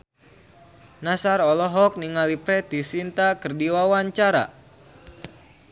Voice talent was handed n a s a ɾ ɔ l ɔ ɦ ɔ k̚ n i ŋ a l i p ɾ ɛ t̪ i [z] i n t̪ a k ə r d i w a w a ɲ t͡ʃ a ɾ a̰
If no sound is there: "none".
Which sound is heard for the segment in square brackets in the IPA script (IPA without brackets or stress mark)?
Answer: s